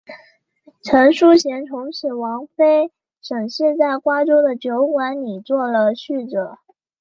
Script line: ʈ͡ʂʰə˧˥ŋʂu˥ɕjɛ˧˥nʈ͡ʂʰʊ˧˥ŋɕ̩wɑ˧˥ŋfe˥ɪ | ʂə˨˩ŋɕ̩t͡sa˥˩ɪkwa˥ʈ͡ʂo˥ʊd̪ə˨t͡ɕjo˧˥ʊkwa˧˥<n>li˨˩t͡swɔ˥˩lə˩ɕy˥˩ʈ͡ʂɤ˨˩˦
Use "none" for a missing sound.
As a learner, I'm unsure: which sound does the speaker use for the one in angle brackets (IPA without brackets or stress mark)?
n